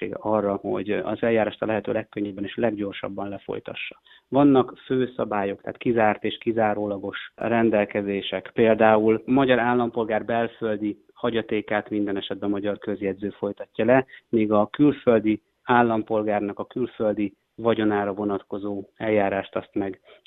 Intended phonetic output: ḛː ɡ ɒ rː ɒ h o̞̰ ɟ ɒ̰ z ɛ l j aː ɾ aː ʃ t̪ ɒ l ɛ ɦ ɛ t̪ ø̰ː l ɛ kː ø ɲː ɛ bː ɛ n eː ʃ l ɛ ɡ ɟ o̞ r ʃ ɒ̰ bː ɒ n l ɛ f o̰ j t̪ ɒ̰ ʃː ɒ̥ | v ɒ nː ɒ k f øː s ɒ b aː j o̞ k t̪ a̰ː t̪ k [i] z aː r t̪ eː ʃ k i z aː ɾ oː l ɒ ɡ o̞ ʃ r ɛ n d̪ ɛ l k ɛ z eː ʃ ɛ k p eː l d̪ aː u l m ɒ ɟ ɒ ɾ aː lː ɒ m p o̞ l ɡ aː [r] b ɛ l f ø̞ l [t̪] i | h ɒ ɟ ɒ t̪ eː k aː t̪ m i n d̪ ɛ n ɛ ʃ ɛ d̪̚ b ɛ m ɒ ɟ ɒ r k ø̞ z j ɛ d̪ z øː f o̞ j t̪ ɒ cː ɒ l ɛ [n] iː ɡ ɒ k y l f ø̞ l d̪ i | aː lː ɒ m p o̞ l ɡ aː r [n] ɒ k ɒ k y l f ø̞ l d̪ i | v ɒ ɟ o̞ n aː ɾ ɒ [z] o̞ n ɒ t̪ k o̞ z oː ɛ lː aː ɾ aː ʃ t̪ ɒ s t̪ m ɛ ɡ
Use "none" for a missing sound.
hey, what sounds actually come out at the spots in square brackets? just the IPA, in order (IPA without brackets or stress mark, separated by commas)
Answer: i, r, d̪, m, n, v